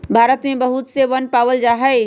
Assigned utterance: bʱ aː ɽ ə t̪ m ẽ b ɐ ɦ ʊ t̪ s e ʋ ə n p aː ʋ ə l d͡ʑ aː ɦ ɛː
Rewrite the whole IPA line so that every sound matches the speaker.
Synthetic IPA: bʱ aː ɾ ə t̪ m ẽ b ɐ ɦ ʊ t̪ s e ʋ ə n p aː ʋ ə l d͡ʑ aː ɦ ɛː